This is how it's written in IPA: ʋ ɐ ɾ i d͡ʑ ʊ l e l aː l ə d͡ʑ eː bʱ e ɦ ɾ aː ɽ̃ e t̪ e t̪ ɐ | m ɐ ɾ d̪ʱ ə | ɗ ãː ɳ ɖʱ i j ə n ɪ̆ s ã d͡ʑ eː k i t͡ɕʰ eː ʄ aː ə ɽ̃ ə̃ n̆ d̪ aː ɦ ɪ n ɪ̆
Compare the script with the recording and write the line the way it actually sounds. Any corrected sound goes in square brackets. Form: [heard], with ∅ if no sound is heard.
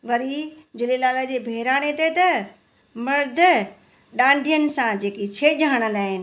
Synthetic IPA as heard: ʋ ɐ ɾ i d͡ʑ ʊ l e l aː l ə d͡ʑ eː bʱ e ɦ ɾ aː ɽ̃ e t̪ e t̪ ɐ | m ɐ ɾ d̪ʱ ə | ɗ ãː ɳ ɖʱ i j ə n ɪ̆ s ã d͡ʑ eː k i t͡ɕʰ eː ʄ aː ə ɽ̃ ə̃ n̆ d̪ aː ɦ ɪ n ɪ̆